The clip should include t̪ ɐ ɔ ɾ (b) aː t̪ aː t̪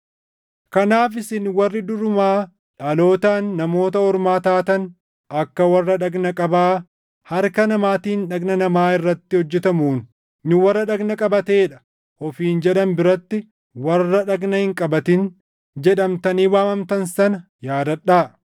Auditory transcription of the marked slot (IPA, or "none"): m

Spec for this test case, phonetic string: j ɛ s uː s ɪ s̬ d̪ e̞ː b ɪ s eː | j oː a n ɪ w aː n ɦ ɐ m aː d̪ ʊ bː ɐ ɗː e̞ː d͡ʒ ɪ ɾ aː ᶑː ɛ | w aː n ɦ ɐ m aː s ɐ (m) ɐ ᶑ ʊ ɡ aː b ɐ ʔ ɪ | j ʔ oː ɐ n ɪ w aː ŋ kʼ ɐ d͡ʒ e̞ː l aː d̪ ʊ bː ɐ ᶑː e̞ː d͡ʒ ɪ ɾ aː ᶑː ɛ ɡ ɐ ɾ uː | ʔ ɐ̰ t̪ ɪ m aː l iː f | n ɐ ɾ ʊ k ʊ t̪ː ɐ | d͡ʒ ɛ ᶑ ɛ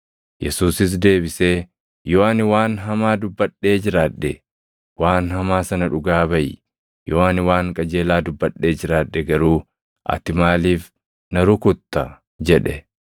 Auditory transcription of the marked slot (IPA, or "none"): n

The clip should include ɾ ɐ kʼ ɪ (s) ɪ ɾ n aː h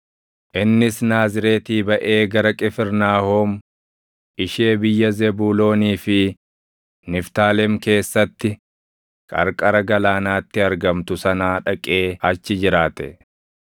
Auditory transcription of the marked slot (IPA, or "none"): f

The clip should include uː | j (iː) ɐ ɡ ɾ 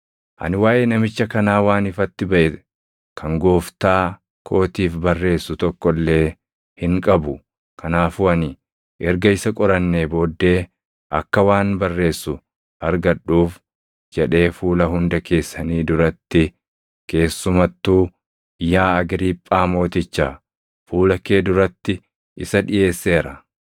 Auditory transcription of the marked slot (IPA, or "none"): aː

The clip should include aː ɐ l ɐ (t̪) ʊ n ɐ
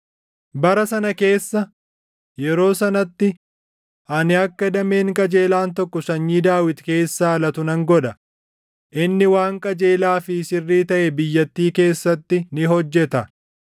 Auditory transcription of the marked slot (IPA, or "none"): t̪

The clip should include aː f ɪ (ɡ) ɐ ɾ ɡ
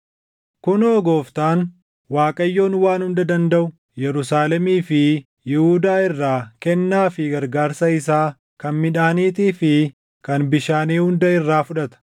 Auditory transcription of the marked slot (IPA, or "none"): ɡ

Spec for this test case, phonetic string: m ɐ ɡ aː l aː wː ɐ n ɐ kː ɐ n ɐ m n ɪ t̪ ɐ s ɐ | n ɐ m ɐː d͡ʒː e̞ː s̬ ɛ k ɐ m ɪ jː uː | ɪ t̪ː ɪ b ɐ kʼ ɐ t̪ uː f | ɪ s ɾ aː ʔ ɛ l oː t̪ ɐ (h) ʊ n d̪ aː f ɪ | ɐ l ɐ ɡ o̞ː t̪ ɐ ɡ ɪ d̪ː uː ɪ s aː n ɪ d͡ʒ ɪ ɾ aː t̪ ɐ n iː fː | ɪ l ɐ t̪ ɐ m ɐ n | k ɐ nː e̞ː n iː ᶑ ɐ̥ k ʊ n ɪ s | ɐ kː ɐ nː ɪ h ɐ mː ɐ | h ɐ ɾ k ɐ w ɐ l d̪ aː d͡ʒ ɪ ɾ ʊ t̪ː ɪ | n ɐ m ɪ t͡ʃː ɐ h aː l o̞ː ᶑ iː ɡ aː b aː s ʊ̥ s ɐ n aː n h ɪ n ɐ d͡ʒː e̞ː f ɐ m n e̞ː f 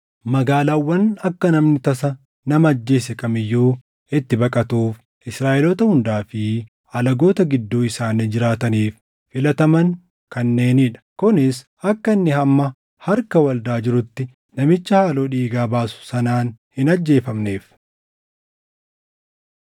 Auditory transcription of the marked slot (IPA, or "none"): h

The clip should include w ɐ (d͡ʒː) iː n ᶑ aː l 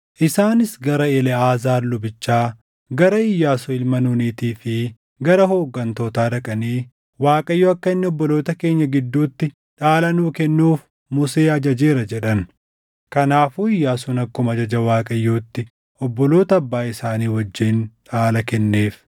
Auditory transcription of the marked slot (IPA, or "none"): d͡ʒː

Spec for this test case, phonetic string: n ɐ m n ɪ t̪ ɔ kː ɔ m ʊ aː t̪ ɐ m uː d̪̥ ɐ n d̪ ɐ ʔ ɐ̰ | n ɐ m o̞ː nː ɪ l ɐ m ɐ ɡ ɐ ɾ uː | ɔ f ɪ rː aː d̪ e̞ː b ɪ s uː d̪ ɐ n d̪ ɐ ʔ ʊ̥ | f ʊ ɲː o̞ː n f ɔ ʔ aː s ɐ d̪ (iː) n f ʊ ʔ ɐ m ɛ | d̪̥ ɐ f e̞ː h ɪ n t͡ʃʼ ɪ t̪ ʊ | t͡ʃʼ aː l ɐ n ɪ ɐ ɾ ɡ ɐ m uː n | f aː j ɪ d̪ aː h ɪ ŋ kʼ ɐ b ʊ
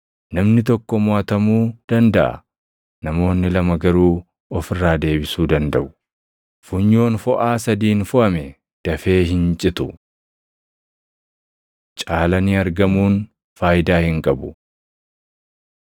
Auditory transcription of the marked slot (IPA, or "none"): iː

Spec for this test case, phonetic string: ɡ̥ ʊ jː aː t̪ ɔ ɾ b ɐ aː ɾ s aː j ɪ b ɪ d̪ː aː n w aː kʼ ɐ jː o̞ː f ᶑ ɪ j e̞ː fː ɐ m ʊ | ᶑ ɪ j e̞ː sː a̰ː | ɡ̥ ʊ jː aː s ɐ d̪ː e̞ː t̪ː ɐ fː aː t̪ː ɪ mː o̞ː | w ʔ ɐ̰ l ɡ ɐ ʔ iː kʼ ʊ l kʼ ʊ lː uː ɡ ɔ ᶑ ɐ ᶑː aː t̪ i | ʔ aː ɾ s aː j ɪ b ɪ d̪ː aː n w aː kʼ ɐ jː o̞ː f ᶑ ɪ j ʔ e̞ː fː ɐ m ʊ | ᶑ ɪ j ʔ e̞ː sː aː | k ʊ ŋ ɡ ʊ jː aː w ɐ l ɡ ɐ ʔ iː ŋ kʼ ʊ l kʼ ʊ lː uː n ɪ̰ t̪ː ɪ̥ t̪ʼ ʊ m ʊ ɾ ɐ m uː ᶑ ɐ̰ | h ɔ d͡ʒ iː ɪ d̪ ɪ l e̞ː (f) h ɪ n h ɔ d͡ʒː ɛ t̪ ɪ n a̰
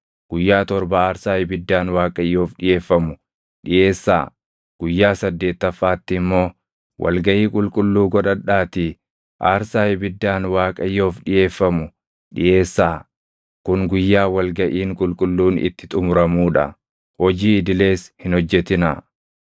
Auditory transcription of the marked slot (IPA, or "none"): s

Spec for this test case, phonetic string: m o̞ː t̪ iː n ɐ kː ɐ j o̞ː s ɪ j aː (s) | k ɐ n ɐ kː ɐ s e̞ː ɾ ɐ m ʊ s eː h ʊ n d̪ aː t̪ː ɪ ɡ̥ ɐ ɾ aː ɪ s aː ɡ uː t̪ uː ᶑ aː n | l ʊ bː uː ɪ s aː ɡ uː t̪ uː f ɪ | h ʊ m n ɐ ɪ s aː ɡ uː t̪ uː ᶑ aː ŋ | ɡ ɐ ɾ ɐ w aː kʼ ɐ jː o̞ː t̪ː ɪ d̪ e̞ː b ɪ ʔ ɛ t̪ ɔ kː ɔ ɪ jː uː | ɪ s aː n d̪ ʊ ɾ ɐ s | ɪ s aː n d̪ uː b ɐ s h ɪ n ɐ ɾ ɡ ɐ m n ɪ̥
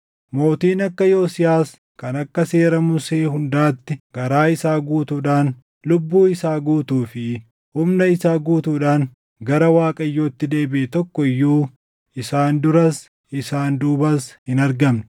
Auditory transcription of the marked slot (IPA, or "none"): s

